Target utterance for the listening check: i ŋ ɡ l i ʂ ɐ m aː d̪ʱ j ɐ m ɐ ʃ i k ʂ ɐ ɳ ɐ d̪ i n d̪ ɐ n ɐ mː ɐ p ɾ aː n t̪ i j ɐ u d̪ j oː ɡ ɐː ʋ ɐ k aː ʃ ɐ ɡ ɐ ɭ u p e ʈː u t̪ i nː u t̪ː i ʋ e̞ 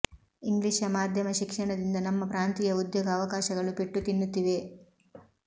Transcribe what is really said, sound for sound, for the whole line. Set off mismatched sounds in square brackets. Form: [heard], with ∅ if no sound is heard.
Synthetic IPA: i ŋ ɡ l i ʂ ɐ m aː d̪ʱ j ɐ m ɐ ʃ i k ʂ ɐ ɳ ɐ d̪ i n d̪ ɐ n ɐ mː ɐ p ɾ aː n t̪ i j ɐ u d̪ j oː ɡ ɐː ʋ ɐ k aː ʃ ɐ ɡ ɐ ɭ u p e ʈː u t̪ i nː u t̪ː i ʋ e̞